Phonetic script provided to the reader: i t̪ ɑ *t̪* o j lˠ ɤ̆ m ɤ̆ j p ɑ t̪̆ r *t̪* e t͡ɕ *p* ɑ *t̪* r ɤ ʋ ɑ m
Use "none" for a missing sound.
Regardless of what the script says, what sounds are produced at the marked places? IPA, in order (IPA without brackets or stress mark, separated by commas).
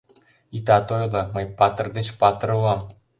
t̪, d̪, p, t̪